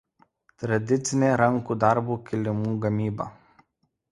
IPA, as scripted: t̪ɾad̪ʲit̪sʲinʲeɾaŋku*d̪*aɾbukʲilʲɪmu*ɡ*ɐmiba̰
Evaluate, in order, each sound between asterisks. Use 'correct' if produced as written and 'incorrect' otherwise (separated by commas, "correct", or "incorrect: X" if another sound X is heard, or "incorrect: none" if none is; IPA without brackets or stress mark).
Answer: correct, correct